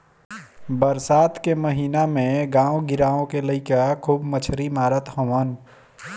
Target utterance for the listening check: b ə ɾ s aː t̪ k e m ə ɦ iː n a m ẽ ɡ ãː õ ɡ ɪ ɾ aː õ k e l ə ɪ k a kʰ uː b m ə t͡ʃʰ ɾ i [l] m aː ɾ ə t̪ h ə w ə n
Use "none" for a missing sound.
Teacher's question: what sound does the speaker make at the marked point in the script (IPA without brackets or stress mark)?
none